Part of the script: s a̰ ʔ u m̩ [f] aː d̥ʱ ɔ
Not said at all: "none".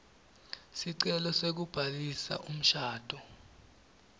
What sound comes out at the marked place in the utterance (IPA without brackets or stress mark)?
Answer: ʃ